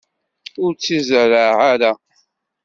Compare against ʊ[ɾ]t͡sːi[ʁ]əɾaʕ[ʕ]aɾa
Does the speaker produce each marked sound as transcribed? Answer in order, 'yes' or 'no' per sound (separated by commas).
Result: yes, no, yes